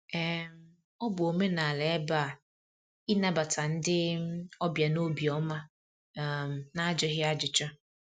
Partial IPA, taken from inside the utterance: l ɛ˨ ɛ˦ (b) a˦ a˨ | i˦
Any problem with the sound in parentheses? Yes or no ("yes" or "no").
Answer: no